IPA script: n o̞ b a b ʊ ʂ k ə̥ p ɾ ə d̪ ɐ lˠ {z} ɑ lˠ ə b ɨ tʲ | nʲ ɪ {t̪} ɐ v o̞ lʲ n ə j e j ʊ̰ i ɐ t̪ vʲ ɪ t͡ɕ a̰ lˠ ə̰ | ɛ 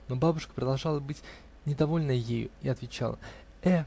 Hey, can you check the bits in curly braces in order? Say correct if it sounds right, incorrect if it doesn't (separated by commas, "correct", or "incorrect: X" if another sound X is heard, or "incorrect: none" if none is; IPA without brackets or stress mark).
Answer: incorrect: ʐ, incorrect: d̪